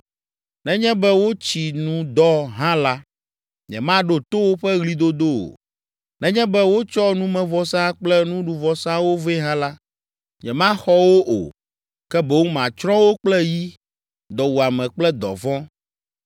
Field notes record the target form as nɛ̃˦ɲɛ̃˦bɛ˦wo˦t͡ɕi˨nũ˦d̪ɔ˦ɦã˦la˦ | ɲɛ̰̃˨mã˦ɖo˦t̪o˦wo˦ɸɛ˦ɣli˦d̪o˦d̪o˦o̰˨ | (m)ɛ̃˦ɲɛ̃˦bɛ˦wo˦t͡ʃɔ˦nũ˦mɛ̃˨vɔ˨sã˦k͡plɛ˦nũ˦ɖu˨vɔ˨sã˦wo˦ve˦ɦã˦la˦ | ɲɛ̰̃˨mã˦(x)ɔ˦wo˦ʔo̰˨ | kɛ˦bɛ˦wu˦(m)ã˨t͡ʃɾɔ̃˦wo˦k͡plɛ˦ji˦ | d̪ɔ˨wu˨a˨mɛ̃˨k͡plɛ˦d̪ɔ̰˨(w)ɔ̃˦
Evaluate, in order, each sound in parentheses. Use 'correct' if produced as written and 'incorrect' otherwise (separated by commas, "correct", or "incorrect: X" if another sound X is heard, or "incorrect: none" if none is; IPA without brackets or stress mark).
incorrect: n, correct, correct, incorrect: v